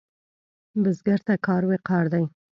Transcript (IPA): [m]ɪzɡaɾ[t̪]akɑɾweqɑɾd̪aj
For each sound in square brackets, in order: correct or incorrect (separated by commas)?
incorrect, correct